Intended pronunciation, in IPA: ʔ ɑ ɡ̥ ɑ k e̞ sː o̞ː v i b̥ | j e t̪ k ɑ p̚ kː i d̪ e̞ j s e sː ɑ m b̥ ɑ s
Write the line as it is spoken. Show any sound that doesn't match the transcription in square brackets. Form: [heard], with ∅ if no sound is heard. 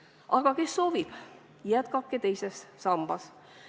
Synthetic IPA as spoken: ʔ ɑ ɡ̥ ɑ k e̞ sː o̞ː v i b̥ | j [æ] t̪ k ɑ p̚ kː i [t̪] e̞ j s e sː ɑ m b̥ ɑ s